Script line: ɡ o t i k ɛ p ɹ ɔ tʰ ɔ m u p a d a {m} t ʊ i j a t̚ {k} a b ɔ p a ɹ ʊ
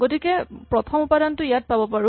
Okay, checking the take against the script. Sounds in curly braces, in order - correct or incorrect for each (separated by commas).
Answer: incorrect, incorrect